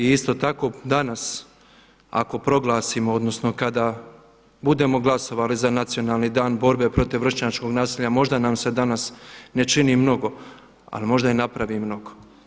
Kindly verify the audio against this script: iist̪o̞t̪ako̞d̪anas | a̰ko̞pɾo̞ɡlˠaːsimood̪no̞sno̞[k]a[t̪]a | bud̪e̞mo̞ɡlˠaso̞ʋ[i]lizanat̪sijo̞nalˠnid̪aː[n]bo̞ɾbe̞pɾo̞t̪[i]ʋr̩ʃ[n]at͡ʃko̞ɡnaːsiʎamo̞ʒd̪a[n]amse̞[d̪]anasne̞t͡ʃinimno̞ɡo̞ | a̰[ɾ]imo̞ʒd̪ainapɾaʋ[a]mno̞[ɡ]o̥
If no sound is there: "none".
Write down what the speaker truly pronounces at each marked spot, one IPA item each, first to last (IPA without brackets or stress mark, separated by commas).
k, d̪, a, n, i, ɲ, n, d̪, l, i, ɡ